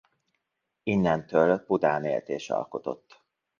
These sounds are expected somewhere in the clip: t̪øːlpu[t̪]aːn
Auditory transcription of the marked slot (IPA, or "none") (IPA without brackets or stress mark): d̪